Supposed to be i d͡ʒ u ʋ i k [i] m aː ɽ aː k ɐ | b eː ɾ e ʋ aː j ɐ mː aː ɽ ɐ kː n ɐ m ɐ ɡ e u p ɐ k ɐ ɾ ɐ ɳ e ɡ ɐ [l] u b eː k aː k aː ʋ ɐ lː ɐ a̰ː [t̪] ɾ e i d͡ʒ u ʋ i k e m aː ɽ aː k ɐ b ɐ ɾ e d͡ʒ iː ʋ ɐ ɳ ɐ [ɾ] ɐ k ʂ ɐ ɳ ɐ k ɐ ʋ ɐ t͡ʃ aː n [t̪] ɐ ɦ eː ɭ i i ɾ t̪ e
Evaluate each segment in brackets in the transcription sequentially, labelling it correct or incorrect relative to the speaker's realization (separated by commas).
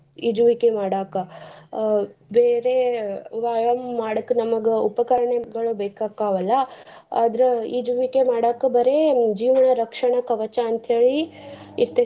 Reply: incorrect, incorrect, incorrect, correct, correct